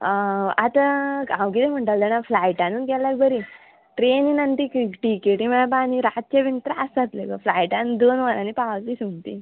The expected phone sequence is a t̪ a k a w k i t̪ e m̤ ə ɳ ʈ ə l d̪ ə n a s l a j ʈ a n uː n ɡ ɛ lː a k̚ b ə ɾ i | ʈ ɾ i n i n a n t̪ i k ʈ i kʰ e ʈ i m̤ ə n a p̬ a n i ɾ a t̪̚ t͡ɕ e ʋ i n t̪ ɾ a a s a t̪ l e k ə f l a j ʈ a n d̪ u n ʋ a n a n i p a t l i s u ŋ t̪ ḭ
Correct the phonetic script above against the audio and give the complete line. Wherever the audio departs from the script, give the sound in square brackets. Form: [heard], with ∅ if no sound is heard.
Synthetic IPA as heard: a t̪ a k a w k i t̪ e m̤ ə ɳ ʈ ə l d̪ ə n a [f] l a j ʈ a n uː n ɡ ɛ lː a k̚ b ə ɾ i | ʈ ɾ [e] n i n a n t̪ i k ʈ i [k] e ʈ i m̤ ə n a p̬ a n i ɾ a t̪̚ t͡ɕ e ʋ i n t̪ ɾ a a s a t̪ l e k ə f l a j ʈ a n d̪ [o] n ʋ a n a n i p a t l i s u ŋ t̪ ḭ